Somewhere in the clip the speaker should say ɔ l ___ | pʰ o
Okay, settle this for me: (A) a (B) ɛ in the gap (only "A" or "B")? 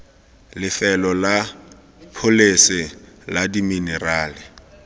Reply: A